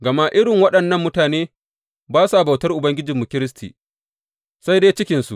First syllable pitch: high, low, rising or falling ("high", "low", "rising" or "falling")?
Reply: low